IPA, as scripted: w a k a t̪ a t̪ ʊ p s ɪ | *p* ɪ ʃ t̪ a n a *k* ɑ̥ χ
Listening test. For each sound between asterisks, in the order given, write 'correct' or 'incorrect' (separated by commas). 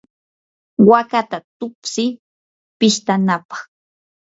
correct, incorrect